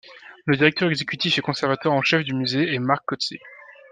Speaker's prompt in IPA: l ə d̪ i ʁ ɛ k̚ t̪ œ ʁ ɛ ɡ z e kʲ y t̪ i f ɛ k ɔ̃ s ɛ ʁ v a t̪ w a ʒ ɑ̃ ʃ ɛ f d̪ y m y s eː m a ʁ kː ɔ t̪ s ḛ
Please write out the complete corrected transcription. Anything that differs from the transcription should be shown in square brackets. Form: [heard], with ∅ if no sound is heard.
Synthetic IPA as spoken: l ə d̪ i ʁ ɛ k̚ t̪ œ ʁ ɛ ɡ z e kʲ y t̪ i f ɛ k ɔ̃ s ɛ ʁ v a t̪ w a [ʁ] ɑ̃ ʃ ɛ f d̪ y m y [z] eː m a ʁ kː ɔ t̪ s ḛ